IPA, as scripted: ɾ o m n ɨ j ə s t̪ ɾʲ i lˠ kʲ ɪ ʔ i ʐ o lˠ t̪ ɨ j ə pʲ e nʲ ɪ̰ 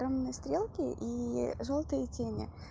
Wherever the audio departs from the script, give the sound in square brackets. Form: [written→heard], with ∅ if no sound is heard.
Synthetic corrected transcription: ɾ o m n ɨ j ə s t̪ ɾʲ [i→e] lˠ kʲ ɪ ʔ i ʐ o lˠ t̪ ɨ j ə [pʲ→tʲ] e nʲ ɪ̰